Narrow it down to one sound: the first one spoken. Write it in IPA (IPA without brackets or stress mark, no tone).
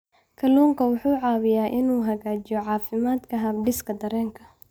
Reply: kʰ